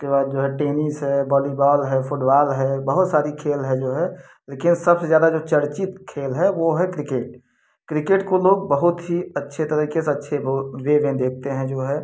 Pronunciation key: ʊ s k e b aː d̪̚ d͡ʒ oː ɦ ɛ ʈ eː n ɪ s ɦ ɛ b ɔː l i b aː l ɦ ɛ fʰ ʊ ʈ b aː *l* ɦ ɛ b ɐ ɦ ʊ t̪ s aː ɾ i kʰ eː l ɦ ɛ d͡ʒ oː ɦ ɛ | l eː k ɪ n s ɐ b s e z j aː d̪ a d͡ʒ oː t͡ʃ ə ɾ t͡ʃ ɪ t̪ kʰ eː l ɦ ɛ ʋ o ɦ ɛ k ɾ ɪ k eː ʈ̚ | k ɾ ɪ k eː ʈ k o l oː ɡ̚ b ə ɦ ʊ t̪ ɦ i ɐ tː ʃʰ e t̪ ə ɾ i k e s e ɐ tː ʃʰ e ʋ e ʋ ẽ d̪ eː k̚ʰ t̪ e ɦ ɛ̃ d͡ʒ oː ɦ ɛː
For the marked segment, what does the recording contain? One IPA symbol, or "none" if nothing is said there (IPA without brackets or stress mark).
l